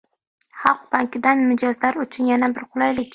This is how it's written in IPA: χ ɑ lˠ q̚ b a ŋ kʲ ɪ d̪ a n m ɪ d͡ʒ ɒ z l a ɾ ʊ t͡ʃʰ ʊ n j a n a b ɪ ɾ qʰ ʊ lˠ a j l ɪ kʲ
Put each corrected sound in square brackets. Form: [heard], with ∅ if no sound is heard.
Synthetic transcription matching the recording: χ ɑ lˠ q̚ b a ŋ kʲ ɪ d̪ a n m ɪ d͡ʒ ɒ z l a ɾ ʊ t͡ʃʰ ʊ n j a n a b ɪ ɾ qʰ ʊ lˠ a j l ɪ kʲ

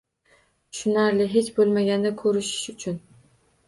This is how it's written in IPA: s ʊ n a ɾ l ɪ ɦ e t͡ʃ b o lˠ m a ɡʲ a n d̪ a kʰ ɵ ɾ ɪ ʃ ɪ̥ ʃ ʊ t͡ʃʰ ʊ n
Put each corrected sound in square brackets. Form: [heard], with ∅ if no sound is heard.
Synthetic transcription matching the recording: [ʃ] ʊ n a ɾ l ɪ ɦ e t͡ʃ b o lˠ m a ɡʲ a n d̪ a kʰ ɵ ɾ ɪ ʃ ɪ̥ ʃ ʊ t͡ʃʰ ʊ n

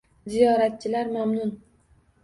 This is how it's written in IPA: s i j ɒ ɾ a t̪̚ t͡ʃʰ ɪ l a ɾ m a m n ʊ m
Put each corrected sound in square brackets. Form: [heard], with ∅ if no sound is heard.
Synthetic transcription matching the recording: [z] i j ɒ ɾ a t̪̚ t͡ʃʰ ɪ l a ɾ m a m n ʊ [n]

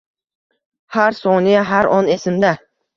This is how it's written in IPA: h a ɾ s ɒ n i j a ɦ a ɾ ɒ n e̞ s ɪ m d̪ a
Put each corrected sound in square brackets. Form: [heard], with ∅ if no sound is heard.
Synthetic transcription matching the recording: h a ɾ s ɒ n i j a ɦ a ɾ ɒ n e̞ s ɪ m d̪ a

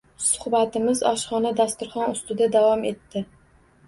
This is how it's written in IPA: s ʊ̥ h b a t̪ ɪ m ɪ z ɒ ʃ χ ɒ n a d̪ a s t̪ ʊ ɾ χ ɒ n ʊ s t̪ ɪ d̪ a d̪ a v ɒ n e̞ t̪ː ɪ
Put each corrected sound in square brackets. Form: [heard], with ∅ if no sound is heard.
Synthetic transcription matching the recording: s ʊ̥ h b a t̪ ɪ m ɪ z ɒ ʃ χ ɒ n a d̪ a s t̪ ʊ ɾ χ ɒ n ʊ s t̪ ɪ d̪ a d̪ a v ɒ [m] e̞ t̪ː ɪ

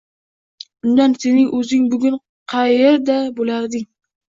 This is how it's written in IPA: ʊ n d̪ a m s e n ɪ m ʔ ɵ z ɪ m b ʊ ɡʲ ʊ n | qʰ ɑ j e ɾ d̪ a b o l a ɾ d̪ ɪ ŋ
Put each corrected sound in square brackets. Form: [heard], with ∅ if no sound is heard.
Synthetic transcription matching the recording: ʊ n d̪ a [n] s e n ɪ [ŋ] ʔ ɵ z ɪ [ŋ] b ʊ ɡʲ ʊ n | qʰ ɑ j e ɾ d̪ a b o l a ɾ d̪ ɪ ŋ

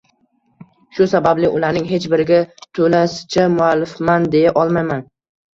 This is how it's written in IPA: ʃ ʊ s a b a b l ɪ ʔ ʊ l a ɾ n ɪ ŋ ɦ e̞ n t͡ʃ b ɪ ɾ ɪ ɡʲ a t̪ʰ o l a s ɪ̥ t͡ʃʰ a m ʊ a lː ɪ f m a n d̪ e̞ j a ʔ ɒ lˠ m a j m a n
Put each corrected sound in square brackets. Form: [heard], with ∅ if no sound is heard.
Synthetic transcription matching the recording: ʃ ʊ s a b a b l ɪ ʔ ʊ l a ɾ n ɪ ŋ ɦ e̞ [∅] t͡ʃ b ɪ ɾ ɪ ɡʲ a t̪ʰ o l a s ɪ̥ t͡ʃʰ a m ʊ a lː ɪ f m a n d̪ e̞ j a ʔ ɒ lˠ m a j m a n

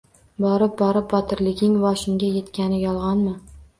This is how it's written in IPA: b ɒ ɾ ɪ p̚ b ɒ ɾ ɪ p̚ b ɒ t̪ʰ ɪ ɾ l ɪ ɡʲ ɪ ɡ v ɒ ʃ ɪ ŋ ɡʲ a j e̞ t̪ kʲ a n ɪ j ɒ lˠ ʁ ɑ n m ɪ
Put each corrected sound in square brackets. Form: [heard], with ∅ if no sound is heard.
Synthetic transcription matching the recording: b ɒ ɾ ɪ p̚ b ɒ ɾ ɪ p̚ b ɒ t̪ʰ ɪ ɾ l ɪ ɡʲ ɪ [ŋ] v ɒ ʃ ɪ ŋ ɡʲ a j e̞ t̪ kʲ a n ɪ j ɒ lˠ ʁ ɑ n m ɪ

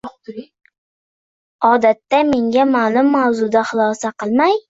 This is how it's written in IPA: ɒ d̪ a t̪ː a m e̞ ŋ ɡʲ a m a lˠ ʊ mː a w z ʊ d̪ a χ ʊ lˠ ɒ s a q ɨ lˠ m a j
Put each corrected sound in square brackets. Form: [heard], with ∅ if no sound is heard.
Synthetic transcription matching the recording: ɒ d̪ a t̪ː a m e̞ ŋ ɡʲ a m a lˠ ʊ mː a w z ʊ d̪ a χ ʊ lˠ ɒ s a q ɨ lˠ m a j

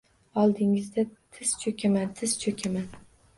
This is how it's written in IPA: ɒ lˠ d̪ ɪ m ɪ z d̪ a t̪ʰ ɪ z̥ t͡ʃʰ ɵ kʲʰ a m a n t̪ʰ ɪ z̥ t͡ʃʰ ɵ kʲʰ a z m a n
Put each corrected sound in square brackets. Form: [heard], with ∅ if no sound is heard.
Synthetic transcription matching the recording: ɒ lˠ d̪ ɪ [ŋ] ɪ z d̪ a t̪ʰ ɪ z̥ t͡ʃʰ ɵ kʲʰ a m a n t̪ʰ ɪ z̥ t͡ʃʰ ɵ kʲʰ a [∅] m a n

